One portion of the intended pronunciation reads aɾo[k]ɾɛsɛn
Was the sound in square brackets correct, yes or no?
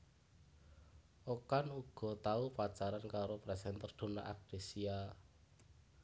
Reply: no